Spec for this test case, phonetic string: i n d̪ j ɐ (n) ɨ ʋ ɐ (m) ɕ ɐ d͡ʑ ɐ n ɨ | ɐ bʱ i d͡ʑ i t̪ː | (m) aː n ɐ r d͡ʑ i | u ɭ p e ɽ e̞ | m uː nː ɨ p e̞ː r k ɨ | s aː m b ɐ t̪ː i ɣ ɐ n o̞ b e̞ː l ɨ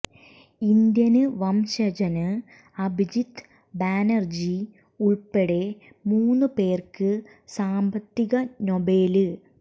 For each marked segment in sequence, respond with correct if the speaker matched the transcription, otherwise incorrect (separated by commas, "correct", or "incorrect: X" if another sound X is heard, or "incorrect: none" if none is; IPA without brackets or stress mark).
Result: correct, correct, incorrect: b